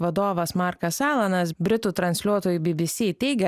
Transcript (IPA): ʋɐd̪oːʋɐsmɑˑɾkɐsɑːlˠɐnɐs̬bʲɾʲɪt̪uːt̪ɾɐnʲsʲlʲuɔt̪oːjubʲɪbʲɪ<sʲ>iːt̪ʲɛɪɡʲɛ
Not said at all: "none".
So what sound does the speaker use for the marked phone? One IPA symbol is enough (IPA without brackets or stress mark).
sʲ